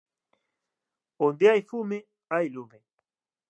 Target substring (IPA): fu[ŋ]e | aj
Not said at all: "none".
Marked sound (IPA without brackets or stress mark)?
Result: m